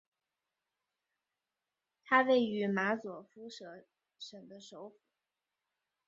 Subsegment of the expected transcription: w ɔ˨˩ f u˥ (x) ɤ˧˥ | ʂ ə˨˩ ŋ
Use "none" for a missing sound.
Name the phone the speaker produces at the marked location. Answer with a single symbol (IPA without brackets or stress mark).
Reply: ʂ